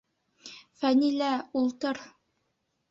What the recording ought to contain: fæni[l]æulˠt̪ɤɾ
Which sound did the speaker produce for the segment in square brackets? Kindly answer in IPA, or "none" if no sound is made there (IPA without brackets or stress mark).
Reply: l